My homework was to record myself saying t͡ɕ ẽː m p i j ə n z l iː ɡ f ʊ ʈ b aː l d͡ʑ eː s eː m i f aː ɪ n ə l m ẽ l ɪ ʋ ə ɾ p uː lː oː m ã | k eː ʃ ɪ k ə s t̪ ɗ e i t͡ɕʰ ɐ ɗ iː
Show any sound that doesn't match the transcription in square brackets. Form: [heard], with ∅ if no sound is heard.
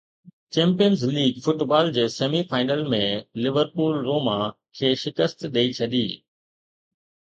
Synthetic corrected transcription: t͡ɕ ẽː m p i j ə n z l iː ɡ f ʊ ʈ b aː l d͡ʑ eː s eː m i f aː ɪ n ə l m ẽ l ɪ ʋ ə ɾ p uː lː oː m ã | [kʰ] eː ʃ ɪ k ə s t̪ ɗ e i t͡ɕʰ ɐ ɗ iː